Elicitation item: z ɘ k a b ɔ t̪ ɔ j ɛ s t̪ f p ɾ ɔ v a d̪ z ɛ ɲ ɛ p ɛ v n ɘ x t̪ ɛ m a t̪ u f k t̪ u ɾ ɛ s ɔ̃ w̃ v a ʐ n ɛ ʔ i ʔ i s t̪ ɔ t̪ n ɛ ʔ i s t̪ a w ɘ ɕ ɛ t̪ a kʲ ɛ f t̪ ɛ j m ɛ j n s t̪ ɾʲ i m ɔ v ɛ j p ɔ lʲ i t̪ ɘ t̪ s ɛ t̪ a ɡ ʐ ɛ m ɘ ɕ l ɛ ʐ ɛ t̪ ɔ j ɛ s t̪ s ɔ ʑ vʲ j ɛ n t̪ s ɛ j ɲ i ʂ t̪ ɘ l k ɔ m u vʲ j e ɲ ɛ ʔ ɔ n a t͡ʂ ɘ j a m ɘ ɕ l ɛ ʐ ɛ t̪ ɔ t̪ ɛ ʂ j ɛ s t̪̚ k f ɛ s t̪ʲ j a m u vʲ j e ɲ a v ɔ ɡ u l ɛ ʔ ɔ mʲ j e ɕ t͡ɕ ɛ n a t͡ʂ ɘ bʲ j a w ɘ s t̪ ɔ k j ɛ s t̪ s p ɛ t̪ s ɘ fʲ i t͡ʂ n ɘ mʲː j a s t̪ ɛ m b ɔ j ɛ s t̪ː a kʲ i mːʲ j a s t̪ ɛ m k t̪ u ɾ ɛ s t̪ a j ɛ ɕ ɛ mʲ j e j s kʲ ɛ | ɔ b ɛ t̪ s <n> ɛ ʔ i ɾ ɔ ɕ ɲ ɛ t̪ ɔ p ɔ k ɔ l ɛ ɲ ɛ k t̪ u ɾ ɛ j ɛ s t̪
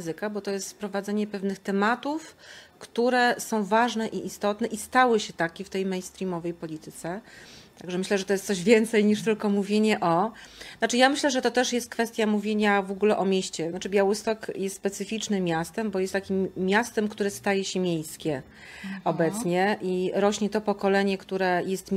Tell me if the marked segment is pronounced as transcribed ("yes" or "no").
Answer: no